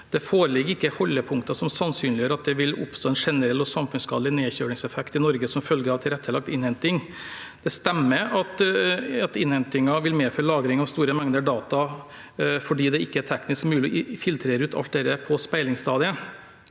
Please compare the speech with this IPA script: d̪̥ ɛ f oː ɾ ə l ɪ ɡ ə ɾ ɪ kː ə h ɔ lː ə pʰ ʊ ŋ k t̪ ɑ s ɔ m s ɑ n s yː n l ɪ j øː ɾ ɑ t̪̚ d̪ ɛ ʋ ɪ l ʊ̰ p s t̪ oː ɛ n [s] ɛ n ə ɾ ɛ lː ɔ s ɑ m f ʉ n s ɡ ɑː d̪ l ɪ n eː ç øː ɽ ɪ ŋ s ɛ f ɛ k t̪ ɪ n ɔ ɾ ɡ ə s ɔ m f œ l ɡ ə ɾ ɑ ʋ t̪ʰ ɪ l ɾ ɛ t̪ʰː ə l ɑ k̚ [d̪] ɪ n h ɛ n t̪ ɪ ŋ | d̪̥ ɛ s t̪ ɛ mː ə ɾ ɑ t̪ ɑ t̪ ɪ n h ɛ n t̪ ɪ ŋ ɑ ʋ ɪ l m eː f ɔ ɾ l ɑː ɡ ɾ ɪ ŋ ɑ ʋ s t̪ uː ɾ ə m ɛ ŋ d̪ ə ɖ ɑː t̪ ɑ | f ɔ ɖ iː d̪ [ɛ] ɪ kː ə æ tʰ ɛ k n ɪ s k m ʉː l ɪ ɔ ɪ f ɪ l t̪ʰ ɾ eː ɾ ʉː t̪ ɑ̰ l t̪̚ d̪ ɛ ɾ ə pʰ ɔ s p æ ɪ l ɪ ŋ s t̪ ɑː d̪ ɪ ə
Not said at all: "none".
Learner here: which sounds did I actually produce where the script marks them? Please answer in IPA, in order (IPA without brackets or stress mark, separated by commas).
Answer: ʂ, t̪, ɛ